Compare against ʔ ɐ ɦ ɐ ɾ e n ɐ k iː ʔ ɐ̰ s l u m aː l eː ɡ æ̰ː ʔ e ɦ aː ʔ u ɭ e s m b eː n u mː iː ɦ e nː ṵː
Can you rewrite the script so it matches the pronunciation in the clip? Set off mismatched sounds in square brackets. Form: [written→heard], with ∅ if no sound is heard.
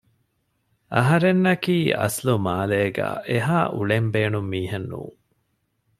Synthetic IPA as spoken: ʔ ɐ ɦ ɐ ɾ e [n→nː] ɐ k iː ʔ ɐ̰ s l u m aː l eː ɡ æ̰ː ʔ e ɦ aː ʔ u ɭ e [s→∅] m b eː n u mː iː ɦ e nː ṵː